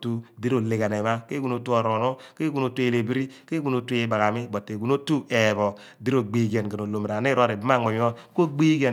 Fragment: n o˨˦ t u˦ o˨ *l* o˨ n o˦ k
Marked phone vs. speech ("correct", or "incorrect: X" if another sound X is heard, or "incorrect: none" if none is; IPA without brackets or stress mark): incorrect: ɾ